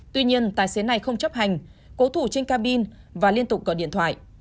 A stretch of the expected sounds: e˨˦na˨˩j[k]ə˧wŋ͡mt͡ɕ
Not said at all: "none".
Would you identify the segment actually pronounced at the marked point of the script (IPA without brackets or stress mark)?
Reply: x